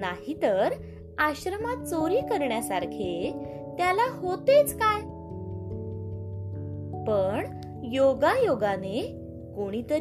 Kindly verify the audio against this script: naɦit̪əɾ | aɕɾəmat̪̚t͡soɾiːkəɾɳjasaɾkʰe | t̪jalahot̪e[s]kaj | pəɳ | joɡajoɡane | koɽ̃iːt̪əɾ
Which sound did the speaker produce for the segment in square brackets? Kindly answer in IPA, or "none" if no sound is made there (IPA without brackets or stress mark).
t͡s